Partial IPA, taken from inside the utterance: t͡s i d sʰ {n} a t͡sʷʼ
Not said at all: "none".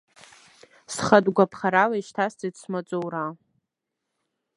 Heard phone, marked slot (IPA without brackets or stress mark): m